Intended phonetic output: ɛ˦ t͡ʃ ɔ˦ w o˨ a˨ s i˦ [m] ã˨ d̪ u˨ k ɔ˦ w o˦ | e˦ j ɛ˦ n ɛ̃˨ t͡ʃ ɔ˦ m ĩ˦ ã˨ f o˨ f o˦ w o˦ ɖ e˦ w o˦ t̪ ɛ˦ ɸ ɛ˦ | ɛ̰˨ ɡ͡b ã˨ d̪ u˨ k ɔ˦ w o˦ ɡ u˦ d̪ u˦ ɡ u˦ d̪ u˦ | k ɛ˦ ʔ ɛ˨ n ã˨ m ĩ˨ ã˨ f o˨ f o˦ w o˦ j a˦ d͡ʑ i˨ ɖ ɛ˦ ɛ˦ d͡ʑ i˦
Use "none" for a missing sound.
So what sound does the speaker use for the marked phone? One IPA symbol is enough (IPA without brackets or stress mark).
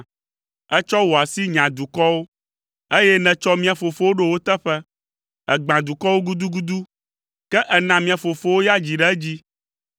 ɲ